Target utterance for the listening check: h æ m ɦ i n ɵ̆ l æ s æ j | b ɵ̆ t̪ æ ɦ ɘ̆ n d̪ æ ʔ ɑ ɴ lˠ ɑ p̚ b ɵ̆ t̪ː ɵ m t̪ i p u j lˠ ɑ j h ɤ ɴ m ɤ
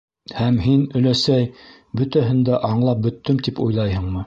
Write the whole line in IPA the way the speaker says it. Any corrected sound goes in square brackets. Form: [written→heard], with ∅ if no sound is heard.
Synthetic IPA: h æ m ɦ i n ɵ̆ l æ s æ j | b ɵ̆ t̪ æ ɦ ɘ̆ n d̪ æ ʔ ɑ ɴ lˠ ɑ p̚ b ɵ̆ t̪ː ɵ m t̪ i p u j lˠ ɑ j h ɤ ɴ m ɤ